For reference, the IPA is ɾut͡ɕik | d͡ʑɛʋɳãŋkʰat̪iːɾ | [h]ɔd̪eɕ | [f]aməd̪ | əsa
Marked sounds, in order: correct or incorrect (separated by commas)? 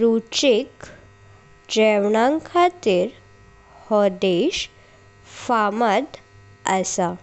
correct, correct